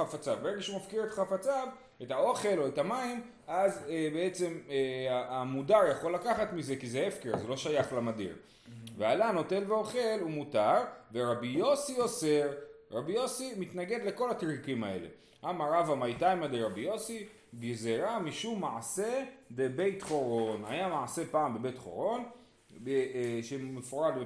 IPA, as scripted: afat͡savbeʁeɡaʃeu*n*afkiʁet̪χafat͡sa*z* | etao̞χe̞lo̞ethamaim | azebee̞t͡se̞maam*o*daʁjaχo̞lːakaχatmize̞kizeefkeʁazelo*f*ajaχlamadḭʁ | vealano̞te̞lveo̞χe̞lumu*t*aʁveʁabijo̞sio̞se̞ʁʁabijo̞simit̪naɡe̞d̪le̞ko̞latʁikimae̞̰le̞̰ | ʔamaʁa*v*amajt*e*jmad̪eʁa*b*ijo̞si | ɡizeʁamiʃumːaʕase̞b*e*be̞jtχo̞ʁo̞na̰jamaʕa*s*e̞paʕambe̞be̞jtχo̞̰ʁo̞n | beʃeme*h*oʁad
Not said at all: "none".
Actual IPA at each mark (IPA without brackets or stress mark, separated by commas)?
m, v, u, ʃ, t, v, a, b, e, s, f